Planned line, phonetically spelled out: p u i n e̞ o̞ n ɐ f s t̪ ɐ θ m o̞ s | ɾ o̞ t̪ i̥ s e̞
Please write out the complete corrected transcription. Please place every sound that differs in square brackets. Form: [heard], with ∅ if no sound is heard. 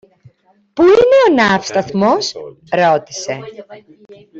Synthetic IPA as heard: p u i n e̞ o̞ n ɐ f s t̪ ɐ θ m o̞ s | ɾ o̞ t̪ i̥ s e̞